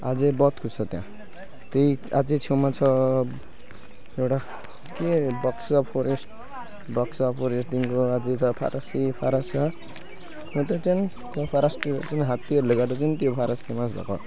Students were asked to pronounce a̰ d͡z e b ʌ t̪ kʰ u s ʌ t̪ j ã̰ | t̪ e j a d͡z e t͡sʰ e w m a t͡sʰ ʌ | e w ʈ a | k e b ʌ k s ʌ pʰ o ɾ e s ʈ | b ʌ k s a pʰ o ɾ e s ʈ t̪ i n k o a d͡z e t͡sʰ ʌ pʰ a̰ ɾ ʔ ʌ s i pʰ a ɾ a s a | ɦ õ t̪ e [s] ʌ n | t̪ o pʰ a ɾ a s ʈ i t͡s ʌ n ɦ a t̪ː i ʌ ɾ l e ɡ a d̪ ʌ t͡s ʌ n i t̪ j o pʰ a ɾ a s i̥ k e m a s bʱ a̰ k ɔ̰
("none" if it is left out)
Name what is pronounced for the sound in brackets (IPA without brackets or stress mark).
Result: t͡s